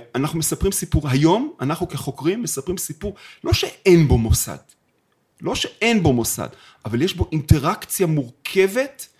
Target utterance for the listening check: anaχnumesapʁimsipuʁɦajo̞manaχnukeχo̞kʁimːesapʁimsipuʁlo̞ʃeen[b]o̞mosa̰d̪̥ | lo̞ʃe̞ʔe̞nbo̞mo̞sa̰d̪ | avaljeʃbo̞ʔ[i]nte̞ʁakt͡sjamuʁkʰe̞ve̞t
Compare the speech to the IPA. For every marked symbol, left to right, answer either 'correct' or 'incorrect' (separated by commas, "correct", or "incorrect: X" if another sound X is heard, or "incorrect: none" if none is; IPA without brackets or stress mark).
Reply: correct, correct